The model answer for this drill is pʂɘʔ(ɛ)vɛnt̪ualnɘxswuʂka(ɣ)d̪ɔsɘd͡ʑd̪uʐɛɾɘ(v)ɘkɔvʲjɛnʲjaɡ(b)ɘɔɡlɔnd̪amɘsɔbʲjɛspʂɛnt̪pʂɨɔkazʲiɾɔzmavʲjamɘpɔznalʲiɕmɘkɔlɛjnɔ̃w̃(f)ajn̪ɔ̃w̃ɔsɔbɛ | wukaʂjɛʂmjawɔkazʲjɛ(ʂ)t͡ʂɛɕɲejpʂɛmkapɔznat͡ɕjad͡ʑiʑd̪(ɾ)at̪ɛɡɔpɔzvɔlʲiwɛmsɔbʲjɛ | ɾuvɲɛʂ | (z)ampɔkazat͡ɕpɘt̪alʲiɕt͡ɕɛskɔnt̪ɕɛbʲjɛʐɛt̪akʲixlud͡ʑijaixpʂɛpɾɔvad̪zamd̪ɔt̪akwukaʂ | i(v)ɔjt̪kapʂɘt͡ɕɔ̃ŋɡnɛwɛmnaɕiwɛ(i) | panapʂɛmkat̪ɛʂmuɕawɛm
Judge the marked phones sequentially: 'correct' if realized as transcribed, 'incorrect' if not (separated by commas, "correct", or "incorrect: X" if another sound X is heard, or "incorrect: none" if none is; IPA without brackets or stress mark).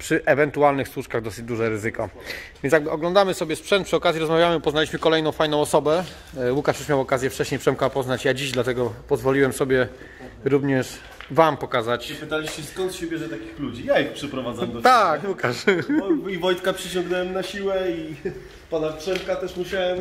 correct, correct, incorrect: z, correct, correct, incorrect: f, incorrect: l, incorrect: v, correct, correct